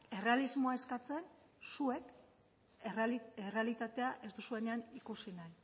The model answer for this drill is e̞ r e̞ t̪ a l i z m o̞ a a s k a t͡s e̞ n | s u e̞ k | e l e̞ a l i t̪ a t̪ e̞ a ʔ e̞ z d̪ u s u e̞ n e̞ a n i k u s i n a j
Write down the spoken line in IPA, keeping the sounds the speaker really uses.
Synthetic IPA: e̞ r e̞ a l i z m o̞ a e s k a t͡s e̞ n | s u e̞ k | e r e̞ a l i t̪ a t̪ e̞ a ʔ e̞ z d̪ u s u e̞ n e̞ a n i k u s i n a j